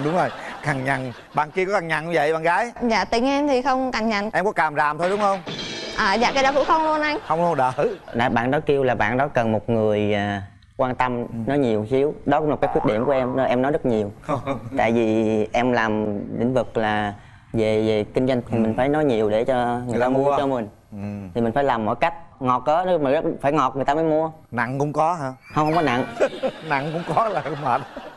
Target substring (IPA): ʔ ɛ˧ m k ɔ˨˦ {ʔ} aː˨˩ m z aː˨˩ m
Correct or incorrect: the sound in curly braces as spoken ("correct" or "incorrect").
incorrect